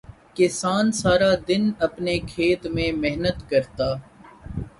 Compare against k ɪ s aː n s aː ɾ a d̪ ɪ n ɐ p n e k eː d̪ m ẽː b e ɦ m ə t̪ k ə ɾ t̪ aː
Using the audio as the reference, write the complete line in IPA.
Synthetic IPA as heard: k ɪ s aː n s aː ɾ a d̪ ɪ n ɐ p n e kʰ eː t̪ m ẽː m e ɦ n ə t̪ k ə ɾ t̪ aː

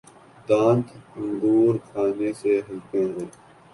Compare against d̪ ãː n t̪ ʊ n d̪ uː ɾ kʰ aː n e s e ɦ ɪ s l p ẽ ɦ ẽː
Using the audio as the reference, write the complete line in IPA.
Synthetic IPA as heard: d̪ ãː n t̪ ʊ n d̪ uː ɾ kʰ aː n e s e ɦ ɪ l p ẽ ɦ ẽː

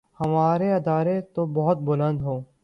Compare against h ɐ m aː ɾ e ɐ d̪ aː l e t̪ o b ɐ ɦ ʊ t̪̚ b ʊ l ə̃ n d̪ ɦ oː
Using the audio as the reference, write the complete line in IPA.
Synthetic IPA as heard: h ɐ m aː ɾ e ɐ d̪ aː ɾ e t̪ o b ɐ ɦ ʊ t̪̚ b ʊ l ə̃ n d̪ ɦ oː

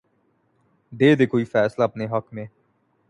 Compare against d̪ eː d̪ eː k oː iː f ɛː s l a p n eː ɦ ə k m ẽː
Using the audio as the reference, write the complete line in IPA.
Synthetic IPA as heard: d̪ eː d̪ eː k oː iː f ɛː s l a p n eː ɦ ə k m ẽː

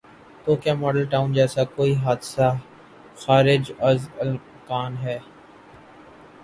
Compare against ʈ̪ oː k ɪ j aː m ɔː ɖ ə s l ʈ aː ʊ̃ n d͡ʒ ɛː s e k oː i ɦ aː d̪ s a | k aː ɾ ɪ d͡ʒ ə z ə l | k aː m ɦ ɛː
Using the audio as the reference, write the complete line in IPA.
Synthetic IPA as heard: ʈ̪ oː k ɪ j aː m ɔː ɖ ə l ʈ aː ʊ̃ n d͡ʒ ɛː s a k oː i ɦ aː d̪ s a | x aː ɾ ɪ d͡ʒ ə z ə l | k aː n ɦ ɛː

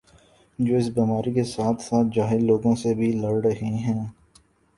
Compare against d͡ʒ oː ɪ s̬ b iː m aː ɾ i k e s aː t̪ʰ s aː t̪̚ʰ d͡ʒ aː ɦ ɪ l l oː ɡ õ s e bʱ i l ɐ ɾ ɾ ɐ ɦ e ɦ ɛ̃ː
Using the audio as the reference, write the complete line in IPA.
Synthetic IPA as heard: d͡ʒ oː ɪ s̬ b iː m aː ɾ i k e s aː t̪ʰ s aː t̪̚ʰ d͡ʒ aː ɦ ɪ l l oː ɡ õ s e bʱ i l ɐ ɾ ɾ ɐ ɦ e ɦ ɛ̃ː

